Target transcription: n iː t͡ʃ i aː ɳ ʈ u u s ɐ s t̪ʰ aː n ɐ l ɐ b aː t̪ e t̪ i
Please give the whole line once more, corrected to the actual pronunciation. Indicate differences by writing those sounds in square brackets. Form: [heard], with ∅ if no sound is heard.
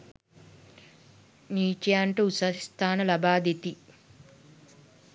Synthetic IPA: n iː t͡ʃ [j] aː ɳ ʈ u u s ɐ s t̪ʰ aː n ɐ l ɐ b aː [d̪] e t̪ i